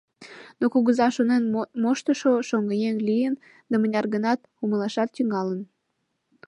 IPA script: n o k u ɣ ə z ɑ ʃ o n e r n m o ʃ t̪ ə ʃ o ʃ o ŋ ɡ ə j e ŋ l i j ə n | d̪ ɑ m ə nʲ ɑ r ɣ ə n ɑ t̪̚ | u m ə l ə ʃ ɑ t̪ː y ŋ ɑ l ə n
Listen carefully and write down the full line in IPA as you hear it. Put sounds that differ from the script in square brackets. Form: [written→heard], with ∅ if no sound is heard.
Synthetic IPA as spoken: n o k u ɣ ə z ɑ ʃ o n e [r→∅] n m o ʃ t̪ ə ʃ o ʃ o ŋ ɡ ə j e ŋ l i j ə n | d̪ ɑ m ə nʲ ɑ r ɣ ə n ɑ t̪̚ | u m ə l [ə→ɑ] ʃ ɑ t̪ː y ŋ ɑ l ə n